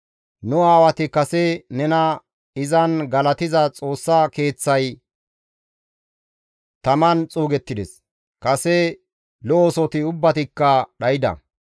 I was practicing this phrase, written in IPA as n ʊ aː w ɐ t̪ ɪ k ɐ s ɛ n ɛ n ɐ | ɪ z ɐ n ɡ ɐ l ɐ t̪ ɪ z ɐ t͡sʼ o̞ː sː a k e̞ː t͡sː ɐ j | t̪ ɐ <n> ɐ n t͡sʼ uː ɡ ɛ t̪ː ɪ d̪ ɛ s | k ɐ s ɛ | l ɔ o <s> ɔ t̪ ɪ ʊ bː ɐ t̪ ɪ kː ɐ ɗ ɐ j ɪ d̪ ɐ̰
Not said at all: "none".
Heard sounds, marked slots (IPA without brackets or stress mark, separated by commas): m, s